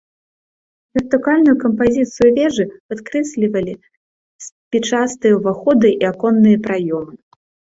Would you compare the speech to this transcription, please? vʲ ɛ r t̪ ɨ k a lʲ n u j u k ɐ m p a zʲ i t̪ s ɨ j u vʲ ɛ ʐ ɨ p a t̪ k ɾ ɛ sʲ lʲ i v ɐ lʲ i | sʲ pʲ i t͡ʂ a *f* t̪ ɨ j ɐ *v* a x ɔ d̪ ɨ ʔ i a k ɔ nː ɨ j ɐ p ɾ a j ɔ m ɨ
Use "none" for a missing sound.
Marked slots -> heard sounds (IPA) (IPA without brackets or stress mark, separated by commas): s, v